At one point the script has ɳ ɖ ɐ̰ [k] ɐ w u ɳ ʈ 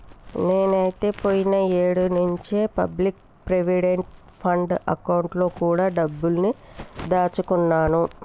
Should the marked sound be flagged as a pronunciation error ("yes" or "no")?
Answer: no